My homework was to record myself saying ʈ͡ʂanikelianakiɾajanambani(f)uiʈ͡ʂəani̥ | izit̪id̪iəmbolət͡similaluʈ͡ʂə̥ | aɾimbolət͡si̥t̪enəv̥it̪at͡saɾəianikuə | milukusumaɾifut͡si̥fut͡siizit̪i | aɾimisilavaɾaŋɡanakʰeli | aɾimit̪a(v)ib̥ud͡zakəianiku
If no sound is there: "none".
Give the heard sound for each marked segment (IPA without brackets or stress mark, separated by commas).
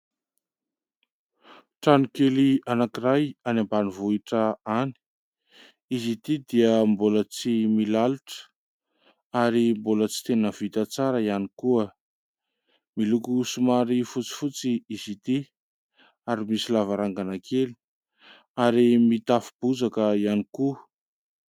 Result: v, f